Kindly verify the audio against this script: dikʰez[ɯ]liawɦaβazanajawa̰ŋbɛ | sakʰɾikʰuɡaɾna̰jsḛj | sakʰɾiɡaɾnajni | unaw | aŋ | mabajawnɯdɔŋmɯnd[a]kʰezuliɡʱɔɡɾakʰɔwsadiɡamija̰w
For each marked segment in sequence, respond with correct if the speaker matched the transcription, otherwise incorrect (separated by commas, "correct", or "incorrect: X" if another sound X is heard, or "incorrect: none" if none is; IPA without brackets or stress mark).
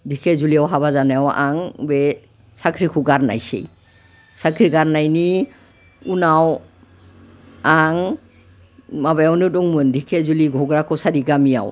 incorrect: u, incorrect: i